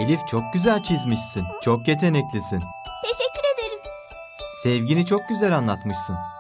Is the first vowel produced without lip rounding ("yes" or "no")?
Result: yes